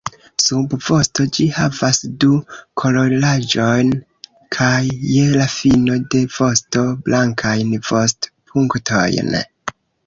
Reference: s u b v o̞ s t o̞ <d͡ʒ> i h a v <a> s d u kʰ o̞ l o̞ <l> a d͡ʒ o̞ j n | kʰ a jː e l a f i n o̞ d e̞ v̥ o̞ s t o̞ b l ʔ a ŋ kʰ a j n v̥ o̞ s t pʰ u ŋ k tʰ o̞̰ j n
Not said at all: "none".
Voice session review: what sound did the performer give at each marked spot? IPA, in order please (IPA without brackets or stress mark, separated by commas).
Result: d͡ʒ, a, l